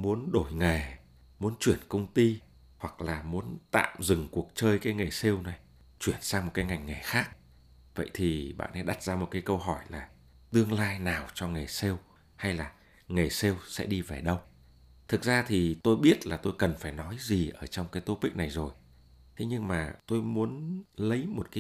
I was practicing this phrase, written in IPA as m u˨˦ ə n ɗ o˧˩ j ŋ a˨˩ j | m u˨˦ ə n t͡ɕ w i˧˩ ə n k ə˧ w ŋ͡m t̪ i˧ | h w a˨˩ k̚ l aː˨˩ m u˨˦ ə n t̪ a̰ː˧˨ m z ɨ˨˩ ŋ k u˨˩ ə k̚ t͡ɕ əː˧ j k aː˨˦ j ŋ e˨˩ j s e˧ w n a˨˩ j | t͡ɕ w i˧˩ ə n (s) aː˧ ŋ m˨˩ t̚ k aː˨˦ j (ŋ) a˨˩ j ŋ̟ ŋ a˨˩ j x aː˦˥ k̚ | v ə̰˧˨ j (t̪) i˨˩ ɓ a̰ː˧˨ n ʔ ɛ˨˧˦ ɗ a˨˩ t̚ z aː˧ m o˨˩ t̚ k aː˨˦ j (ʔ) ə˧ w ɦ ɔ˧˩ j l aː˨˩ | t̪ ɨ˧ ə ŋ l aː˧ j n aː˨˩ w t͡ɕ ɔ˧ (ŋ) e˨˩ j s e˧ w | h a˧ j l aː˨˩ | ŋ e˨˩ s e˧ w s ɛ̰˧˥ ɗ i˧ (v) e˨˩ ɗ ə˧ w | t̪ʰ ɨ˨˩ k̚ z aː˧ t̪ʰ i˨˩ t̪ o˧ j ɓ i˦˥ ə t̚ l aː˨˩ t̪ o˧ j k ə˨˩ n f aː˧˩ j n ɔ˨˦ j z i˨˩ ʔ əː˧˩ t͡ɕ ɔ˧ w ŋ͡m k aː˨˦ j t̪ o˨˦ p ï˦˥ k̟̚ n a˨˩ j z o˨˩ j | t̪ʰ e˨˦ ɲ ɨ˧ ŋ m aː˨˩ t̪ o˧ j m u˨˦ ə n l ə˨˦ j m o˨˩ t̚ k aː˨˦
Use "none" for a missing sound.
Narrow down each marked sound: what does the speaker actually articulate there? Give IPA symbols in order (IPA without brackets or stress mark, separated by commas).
s, ŋ, t̪ʰ, k, ŋ, v